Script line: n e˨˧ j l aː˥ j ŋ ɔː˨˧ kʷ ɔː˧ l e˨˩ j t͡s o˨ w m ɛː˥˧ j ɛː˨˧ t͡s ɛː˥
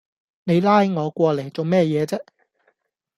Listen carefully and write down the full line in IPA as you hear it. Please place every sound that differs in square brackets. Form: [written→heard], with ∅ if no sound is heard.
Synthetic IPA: n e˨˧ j l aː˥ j ŋ ɔː˨˧ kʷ ɔː˧ l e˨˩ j t͡s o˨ w m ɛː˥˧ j ɛː˨˧ t͡s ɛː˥